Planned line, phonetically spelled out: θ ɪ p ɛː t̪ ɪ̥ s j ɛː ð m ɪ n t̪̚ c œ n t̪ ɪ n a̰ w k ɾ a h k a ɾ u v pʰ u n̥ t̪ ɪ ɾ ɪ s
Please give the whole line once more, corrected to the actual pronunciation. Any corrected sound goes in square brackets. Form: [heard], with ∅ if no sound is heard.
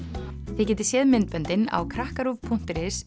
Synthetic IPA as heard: θ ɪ [c] ɛː t̪ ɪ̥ s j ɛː ð m ɪ n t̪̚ [p] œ n t̪ ɪ n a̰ w [kʰ] ɾ a h k a ɾ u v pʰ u n̥ t̪ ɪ ɾ ɪ s